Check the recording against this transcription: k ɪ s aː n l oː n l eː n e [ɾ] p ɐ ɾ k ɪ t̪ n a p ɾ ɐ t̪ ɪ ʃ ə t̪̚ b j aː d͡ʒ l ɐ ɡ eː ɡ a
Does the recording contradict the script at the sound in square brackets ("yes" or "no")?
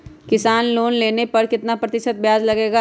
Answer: yes